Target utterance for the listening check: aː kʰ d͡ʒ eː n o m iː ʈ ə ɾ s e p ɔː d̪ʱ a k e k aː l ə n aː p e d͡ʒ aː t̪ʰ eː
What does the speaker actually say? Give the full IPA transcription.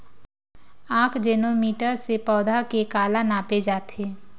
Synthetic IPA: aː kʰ d͡ʒ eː n o m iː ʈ ə ɾ s e p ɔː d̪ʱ a k e k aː l a n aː p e d͡ʒ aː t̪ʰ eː